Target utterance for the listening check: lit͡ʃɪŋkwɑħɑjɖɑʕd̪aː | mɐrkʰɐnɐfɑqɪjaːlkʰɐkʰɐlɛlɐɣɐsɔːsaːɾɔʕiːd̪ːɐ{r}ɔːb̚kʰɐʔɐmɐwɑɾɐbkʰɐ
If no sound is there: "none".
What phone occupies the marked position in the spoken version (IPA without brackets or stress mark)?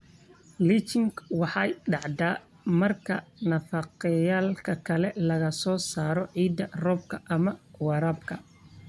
r